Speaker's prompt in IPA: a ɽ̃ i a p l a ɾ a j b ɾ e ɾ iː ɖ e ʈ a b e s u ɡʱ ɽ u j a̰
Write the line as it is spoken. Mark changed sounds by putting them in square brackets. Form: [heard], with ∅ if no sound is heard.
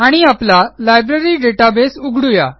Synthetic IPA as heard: a ɽ̃ i a p l a [l] a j b ɾ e ɾ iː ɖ e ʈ a b e s u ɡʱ ɽ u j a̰